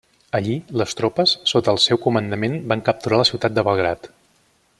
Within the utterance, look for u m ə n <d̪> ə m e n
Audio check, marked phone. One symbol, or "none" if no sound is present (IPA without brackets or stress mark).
d̪